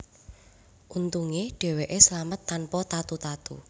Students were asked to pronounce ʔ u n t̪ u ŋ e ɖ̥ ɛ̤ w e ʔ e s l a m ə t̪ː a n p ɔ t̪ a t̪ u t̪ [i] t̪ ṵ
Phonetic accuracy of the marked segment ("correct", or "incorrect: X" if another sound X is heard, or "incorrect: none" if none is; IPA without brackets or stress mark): incorrect: a